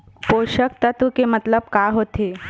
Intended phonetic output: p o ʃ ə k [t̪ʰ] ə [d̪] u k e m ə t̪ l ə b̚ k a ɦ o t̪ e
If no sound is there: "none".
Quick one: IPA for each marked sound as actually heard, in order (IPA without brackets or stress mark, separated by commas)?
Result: t̪, t̪